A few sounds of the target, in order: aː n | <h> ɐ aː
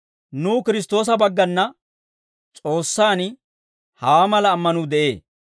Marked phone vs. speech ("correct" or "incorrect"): correct